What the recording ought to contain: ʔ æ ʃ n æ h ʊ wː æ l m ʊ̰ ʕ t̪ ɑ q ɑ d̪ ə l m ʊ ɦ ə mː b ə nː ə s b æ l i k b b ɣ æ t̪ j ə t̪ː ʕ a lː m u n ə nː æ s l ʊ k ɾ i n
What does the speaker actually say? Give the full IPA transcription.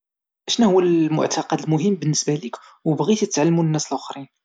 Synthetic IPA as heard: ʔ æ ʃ n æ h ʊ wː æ l m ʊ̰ ʕ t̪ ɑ q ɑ d̪ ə l m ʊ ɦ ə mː b ə nː ə s b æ l i k w b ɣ i t̪ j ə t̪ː ʕ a lː m u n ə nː æ s l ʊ x ɾ i n